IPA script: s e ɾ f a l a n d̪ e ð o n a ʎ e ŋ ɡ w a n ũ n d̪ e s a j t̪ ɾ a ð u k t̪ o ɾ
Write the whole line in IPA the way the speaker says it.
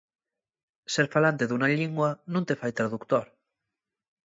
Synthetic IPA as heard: s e ɾ f a l a n t̪ e ð u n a ʎ i ŋ ɡ w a n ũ n t̪ e f a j t̪ ɾ a ð u k t̪ o ɾ

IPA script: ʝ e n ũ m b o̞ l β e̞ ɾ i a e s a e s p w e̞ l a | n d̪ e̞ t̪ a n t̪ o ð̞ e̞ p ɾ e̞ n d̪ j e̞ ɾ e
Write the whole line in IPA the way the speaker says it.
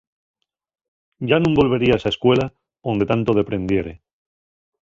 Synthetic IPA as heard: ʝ a n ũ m b o̞ l β e̞ ɾ i a e s a e s k w e̞ l a | n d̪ e̞ t̪ a n t̪ o ð̞ e̞ p ɾ e̞ n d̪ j e̞ ɾ e

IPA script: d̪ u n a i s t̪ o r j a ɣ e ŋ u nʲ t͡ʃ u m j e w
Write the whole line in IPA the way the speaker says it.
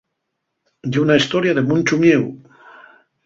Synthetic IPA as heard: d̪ u n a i s t̪ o ɾ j a ð e m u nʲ t͡ʃ u m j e w

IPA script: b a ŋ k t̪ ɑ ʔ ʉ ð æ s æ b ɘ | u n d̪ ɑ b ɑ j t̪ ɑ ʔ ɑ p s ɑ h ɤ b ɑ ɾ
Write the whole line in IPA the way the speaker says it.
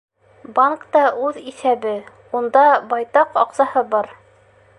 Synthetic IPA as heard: b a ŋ k t̪ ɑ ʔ ʉ ð i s æ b ɘ | u n d̪ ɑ b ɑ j t̪ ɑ q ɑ q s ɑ h ɤ b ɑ ɾ

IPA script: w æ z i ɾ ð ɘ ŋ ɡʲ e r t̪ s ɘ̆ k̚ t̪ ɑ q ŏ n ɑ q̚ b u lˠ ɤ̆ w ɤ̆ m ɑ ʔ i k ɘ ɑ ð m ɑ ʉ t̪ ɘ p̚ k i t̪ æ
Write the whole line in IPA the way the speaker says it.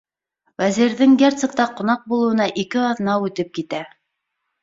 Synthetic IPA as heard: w æ z i ɾ ð ɘ ŋ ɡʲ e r t̪ s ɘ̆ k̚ t̪ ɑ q ŏ n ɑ q̚ b u lˠ ɤ̆ w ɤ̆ n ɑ ʔ i k ɘ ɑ ð n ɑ ʉ t̪ ɘ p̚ k i t̪ æ

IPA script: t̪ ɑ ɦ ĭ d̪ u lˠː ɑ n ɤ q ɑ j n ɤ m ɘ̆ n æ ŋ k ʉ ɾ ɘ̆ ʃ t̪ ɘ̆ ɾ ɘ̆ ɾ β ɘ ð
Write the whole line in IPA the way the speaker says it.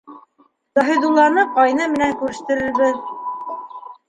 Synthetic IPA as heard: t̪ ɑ ɦ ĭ d̪ u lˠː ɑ n ɤ q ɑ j n ɤ m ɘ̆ n æ ŋ k ʉ ɾ ɘ̆ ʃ t̪ ɘ̆ ɾ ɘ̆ ɾ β ɘ ð

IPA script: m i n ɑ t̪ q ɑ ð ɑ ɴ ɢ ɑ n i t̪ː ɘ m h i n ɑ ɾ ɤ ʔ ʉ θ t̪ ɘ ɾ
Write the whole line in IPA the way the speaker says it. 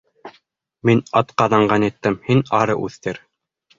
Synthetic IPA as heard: m i n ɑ t̪ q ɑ ð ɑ ɴ ɢ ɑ n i t̪ː ɘ m h i n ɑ ɾ ɤ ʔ ʉ θ t̪ ɘ ɾ

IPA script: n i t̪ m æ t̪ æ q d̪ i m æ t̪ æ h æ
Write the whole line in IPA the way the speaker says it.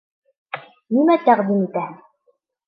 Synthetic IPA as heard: n i m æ t̪ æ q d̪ i m i t̪ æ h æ

